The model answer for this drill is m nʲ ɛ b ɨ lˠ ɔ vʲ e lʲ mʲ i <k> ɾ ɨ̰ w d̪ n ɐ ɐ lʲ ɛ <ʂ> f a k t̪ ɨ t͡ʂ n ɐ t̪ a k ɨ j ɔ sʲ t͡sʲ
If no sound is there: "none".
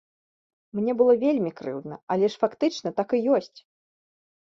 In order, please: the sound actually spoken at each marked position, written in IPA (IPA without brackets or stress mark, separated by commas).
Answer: k, ʂ